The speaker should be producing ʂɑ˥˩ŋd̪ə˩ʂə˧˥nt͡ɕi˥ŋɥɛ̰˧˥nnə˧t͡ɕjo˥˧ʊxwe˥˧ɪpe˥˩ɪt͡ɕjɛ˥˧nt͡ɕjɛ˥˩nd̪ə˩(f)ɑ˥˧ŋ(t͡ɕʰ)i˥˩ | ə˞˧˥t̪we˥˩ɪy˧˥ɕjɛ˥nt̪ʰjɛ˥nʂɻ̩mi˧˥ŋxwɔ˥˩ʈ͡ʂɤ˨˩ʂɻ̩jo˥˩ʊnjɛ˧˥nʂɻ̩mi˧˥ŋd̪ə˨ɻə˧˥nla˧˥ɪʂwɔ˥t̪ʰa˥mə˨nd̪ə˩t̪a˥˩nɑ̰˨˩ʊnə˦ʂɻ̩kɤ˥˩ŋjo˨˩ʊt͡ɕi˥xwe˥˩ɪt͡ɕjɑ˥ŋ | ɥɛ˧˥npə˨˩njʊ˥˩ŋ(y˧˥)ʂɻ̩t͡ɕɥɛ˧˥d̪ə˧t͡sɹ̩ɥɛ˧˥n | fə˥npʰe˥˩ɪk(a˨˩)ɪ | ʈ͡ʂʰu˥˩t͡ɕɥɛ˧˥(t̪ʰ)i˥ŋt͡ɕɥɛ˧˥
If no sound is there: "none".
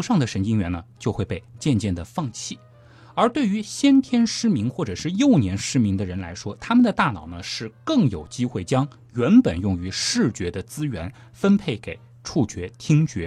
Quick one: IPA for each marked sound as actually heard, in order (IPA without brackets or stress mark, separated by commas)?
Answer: f, t͡ɕʰ, y˧˥, e˨˩, t̪ʰ